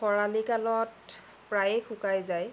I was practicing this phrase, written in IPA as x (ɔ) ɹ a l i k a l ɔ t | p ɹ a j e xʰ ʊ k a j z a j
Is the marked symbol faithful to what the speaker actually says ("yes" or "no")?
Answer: yes